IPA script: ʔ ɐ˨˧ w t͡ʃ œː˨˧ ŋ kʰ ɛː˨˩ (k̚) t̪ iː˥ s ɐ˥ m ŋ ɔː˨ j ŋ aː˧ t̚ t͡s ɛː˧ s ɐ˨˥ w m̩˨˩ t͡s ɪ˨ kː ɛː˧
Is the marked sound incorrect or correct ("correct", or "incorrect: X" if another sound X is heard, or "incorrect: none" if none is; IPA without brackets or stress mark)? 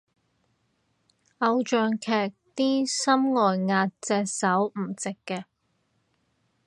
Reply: correct